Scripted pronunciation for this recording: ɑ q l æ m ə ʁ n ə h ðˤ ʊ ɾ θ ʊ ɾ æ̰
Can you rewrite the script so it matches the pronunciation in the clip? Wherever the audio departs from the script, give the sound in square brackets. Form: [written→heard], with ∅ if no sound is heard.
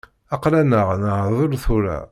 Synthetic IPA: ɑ q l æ [m→n] ə ʁ n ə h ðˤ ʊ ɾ θ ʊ ɾ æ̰